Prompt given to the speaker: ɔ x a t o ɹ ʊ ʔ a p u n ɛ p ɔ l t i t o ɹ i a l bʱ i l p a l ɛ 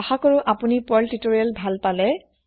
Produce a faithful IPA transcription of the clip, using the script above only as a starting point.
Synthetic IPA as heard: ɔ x a k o ɹ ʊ ʔ a p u n i p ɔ l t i t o ɹ i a l bʱ a l p a l ɛ